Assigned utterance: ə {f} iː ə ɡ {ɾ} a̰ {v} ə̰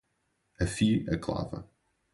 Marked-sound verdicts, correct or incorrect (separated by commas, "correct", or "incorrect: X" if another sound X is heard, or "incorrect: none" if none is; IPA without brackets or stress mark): correct, incorrect: l, correct